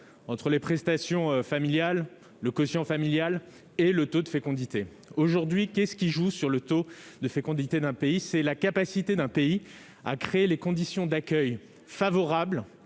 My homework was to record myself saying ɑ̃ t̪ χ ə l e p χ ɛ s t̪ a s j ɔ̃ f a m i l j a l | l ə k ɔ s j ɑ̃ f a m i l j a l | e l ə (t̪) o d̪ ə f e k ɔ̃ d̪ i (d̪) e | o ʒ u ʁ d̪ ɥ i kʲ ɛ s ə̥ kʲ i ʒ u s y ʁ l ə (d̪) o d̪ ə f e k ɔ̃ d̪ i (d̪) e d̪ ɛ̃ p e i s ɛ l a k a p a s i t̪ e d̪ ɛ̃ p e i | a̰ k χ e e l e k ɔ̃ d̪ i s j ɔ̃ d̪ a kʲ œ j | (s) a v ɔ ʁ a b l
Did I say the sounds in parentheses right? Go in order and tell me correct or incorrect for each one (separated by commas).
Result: correct, incorrect, incorrect, incorrect, incorrect